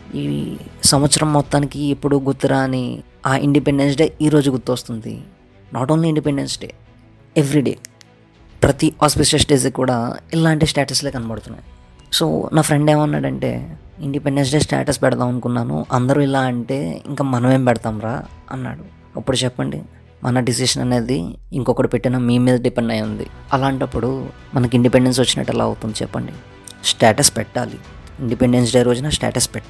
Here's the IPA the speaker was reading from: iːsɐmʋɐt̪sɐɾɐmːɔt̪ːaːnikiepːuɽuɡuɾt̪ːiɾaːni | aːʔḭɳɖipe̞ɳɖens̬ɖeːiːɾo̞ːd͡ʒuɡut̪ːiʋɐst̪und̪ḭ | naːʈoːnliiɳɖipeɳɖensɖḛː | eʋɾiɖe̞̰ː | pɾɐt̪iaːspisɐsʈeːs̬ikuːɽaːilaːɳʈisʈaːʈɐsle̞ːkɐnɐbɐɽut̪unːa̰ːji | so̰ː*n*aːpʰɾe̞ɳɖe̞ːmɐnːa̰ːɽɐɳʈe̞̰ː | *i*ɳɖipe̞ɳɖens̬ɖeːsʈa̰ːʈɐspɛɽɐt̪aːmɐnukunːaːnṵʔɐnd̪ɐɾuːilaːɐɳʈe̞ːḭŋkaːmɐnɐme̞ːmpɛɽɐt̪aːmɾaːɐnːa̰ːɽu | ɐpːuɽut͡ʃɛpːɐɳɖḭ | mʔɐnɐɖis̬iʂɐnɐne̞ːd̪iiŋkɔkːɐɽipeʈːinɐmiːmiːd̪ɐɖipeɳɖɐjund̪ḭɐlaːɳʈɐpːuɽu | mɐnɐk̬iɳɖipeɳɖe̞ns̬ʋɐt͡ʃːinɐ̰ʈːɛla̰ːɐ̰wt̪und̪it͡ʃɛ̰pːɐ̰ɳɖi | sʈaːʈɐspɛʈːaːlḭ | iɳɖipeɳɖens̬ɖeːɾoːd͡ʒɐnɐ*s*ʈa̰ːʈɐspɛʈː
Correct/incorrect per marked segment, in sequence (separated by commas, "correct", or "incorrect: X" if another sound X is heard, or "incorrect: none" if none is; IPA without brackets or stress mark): correct, correct, correct